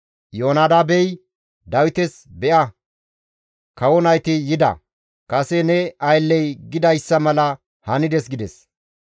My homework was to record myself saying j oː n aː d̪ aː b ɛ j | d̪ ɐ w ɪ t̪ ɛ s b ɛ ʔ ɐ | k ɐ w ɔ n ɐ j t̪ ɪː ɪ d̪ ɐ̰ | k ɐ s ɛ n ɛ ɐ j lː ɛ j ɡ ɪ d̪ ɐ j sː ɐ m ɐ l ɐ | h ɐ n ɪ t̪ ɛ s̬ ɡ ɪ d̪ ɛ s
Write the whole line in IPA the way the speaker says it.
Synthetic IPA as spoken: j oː n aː d̪ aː b ɛ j | d̪ ɐ w ɪ t̪ ɛ s b ɛ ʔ ɐ | k ɐ w ɔ n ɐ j t̪ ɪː ɪ d̪ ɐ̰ | k ɐ s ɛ n ɛ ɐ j lː ɛ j ɡ ɪ d̪ ɐ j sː ɐ m ɐ l ɐ | h ɐ n ɪ d̪ ɛ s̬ ɡ ɪ d̪ ɛ s